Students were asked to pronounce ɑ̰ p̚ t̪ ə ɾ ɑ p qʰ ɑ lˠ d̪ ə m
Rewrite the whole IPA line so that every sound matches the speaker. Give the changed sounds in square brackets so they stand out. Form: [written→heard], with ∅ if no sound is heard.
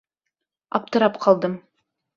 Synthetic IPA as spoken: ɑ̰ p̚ t̪ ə ɾ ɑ p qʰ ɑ lˠ d̪ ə m